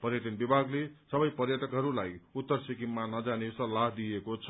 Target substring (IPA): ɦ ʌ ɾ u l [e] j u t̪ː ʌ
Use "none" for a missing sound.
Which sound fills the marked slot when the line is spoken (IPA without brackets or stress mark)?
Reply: a